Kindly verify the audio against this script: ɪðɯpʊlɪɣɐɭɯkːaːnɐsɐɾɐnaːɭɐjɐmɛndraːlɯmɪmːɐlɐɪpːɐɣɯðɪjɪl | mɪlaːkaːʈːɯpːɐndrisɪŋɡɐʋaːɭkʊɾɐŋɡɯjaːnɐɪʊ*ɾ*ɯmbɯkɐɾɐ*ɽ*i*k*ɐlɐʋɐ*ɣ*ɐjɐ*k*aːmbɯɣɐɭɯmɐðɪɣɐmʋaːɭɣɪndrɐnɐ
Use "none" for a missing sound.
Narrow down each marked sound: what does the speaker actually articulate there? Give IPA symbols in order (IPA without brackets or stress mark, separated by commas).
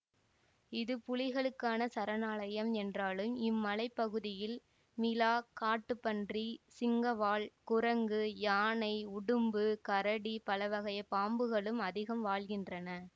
ɽ, ɽ, p, ɣ, p